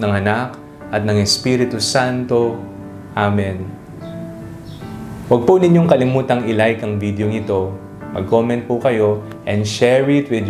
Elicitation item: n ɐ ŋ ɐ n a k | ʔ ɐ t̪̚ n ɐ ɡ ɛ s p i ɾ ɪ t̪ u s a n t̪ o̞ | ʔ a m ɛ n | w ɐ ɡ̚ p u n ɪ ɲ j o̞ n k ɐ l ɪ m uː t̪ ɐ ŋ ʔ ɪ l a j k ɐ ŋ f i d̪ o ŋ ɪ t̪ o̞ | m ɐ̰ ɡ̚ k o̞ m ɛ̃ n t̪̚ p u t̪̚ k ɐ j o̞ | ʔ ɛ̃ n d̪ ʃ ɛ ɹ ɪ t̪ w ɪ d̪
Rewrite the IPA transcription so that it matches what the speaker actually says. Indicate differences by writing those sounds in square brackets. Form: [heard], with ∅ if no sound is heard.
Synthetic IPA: n ɐ ŋ ɐ n a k | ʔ ɐ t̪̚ n ɐ [ŋ] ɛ s p i ɾ ɪ t̪ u s a n t̪ o̞ | ʔ a m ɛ n | w ɐ ɡ̚ p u n ɪ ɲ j o̞ [ŋ] k ɐ l ɪ m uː t̪ ɐ ŋ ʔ ɪ l a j k ɐ ŋ [v] i d̪ o ŋ ɪ t̪ o̞ | m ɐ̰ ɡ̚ k o̞ m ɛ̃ n t̪̚ p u [∅] k ɐ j o̞ | ʔ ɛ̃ n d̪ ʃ ɛ ɹ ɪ t̪ w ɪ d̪